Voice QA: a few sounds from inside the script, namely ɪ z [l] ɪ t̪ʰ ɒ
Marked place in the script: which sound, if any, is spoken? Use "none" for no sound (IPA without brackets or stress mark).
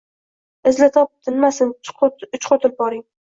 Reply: l